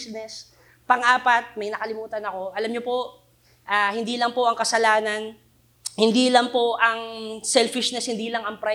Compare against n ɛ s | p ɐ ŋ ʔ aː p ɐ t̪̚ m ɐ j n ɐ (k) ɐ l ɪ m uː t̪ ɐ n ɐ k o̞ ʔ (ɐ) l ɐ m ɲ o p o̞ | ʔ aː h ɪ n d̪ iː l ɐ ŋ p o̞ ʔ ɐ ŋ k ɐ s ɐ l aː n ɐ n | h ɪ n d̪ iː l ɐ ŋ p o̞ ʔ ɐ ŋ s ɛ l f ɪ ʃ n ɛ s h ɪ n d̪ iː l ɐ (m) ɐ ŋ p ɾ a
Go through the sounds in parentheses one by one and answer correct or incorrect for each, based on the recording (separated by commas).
correct, correct, incorrect